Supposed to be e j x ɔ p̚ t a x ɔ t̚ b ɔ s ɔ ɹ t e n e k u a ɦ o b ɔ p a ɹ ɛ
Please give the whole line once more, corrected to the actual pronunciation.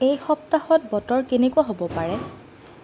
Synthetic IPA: e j x ɔ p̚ t a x ɔ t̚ b ɔ t ɔ ɹ k e n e k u a ɦ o b ɔ p a ɹ ɛ